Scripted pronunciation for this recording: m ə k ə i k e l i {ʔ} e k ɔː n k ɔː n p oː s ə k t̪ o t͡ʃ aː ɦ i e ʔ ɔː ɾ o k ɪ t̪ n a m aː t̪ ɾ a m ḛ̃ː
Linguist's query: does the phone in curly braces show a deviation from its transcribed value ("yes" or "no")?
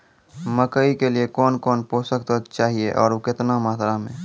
yes